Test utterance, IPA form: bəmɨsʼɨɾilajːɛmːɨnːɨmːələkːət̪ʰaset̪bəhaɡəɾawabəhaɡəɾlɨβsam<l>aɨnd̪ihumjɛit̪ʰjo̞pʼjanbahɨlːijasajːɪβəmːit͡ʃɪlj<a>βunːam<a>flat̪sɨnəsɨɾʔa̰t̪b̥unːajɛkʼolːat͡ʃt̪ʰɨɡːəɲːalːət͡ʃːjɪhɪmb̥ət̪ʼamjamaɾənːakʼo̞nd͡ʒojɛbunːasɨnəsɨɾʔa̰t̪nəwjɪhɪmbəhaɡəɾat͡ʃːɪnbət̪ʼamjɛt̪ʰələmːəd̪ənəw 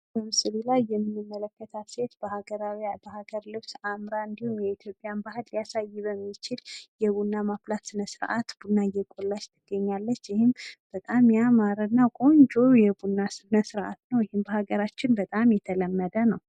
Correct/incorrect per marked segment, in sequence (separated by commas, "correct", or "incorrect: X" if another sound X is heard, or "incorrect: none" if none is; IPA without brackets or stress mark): incorrect: ɾ, incorrect: ɛ, correct